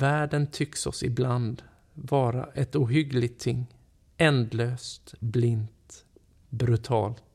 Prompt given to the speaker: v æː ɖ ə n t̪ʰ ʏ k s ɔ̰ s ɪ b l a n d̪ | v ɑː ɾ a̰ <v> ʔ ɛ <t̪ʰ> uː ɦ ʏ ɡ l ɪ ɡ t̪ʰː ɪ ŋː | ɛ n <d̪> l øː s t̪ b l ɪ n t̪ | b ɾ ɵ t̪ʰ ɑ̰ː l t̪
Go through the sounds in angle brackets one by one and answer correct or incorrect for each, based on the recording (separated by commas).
incorrect, incorrect, correct